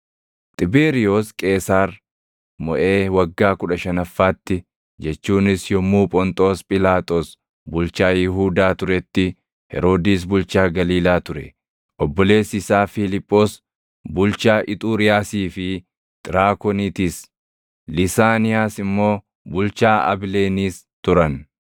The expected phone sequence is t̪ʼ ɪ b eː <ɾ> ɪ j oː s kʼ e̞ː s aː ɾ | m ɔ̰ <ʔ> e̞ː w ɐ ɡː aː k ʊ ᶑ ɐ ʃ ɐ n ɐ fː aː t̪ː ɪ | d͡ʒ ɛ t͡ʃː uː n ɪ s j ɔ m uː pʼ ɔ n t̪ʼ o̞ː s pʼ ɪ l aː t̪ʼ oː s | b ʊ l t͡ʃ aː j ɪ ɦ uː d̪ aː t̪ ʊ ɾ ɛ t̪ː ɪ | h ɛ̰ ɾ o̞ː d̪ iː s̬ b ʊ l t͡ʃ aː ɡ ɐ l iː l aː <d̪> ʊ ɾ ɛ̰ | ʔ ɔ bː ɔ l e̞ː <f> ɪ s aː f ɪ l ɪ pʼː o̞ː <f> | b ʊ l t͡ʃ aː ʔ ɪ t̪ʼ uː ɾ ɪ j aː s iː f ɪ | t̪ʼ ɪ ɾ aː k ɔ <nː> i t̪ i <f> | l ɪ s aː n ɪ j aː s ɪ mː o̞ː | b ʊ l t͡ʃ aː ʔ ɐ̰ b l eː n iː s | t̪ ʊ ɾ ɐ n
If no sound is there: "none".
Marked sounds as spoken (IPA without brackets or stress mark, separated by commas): ɾ, ʔ, t̪, s, s, n, s